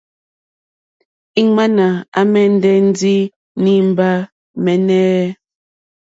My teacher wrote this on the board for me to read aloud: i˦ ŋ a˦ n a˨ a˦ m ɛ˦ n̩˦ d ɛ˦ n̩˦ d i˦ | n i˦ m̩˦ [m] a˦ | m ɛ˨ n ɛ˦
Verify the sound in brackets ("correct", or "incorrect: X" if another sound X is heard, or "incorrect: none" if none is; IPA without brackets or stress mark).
incorrect: b